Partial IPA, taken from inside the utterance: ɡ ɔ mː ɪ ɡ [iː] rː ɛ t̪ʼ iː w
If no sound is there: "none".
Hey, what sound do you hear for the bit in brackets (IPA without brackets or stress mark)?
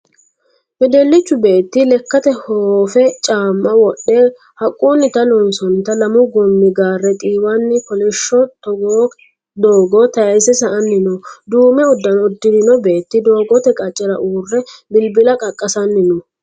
aː